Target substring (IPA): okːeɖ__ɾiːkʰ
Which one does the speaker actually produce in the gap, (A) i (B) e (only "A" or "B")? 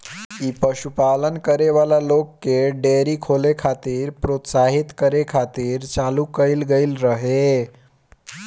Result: B